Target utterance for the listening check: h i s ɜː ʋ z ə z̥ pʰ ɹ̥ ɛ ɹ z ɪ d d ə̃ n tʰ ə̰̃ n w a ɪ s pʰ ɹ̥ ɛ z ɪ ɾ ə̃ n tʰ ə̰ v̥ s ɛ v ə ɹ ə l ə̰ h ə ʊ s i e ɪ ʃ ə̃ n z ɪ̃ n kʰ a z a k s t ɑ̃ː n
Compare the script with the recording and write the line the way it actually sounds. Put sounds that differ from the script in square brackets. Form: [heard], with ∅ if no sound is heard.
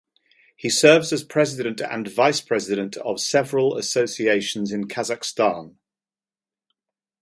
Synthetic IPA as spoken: h i s ɜː [v] z ə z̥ pʰ ɹ̥ ɛ [∅] z ɪ d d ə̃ n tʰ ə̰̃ n [v] a ɪ s pʰ ɹ̥ ɛ z ɪ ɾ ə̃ n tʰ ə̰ v̥ s ɛ v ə ɹ ə l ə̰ [s] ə ʊ s i e ɪ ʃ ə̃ n z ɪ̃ n kʰ a z a k s t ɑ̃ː n

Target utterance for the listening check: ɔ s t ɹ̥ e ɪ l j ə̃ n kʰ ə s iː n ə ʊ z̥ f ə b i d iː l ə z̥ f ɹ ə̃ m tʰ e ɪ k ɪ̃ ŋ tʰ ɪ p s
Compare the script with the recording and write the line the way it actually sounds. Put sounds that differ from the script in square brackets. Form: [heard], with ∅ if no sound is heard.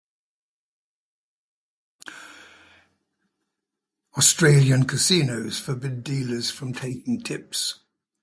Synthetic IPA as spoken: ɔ s t ɹ̥ e ɪ l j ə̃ n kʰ ə s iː n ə ʊ z̥ f ə b [ɪ] d iː l ə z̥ f ɹ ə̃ m tʰ e ɪ k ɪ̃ ŋ tʰ ɪ p s

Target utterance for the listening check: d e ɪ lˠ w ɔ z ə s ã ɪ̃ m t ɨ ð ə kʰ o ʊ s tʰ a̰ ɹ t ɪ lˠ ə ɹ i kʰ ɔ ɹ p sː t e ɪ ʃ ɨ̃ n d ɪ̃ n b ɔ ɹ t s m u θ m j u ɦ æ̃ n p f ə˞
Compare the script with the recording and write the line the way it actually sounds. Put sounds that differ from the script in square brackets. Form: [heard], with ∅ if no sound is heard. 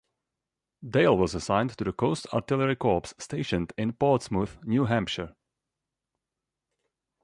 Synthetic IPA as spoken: d e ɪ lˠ w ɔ z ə s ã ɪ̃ [n] t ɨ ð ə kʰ o ʊ s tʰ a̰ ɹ t ɪ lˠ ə ɹ i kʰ ɔ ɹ p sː t e ɪ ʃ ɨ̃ n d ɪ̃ n [p] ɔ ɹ t s m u θ [n] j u ɦ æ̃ [m] p [ʃ] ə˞

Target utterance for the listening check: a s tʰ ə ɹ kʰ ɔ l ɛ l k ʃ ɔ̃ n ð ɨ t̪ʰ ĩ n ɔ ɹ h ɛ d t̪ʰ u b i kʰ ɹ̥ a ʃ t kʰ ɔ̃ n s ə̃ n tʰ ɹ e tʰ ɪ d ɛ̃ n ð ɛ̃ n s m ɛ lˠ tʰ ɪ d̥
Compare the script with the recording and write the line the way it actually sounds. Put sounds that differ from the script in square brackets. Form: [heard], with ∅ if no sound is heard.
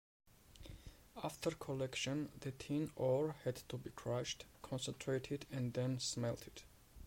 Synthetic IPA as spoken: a [f] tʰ ə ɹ kʰ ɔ l ɛ [∅] k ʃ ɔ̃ n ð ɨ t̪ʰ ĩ n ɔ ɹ h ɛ d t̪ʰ u b i kʰ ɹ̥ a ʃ t kʰ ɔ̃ n s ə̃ n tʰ ɹ e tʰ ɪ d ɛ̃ n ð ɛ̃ n s m ɛ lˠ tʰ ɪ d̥

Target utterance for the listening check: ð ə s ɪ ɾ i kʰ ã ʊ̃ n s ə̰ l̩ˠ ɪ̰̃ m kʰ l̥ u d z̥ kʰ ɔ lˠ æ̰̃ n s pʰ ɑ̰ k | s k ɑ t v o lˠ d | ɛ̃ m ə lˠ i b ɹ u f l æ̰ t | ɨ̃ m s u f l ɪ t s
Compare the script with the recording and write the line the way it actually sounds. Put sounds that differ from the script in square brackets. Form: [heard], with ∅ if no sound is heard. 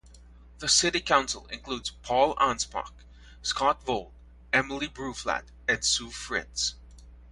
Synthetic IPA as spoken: ð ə s ɪ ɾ i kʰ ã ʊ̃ n s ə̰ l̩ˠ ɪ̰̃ [n] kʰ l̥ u d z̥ [pʰ] ɔ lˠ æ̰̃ n s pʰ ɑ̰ k | s k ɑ t v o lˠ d | [ɛ] m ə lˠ i b ɹ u f l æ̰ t | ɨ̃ [n] s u f [ɹ] ɪ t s

